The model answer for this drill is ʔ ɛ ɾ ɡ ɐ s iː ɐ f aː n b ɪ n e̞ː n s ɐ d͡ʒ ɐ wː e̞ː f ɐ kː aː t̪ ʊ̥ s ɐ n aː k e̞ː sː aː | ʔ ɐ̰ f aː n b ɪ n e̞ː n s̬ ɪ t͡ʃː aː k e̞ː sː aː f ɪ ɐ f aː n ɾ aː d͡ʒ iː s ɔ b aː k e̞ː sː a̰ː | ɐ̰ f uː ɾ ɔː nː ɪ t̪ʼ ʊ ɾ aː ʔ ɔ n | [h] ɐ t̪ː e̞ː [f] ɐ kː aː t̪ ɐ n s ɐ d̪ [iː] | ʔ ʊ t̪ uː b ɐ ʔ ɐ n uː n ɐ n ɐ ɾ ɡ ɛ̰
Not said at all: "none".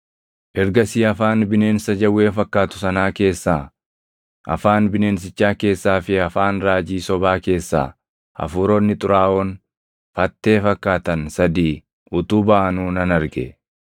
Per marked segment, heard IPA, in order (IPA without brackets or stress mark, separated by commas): f, f, iː